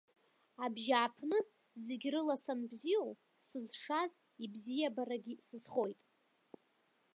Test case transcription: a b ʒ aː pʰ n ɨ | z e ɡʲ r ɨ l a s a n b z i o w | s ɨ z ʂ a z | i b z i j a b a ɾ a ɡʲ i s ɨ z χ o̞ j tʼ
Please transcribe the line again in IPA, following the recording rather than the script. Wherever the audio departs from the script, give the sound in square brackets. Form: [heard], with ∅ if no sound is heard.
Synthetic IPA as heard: a b ʒ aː pʰ n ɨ | z e ɡʲ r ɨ l a s a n b z i o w | s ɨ z ʂ a z | i b z i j a b a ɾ a ɡʲ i s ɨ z χ o̞ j tʼ